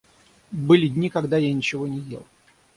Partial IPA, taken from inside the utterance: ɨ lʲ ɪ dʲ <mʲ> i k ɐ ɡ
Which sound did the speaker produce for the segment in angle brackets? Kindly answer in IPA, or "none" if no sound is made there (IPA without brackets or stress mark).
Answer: nʲ